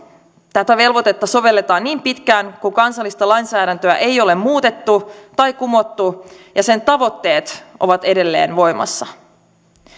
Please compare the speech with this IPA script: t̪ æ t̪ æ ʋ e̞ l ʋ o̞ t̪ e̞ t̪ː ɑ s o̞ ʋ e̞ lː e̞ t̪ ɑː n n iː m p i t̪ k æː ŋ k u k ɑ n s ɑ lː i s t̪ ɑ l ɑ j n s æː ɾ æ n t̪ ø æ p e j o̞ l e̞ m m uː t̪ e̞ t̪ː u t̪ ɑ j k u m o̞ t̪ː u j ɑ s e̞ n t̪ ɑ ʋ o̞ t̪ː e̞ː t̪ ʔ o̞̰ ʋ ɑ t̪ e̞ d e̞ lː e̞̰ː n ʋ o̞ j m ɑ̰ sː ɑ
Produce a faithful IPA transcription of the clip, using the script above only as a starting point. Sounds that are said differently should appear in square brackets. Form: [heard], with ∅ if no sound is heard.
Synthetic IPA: t̪ æ t̪ æ ʋ e̞ l ʋ o̞ t̪ e̞ t̪ː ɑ s o̞ ʋ e̞ lː e̞ t̪ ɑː n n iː m p i t̪ k æː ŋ k u k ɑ n s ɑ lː i s t̪ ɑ l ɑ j n s æː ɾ æ n t̪ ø æ [ʔ] e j o̞ l e̞ m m uː t̪ e̞ t̪ː u t̪ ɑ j k u m o̞ t̪ː u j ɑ s e̞ n t̪ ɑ ʋ o̞ t̪ː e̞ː t̪ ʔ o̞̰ ʋ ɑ t̪ e̞ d e̞ lː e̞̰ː n ʋ o̞ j m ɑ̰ sː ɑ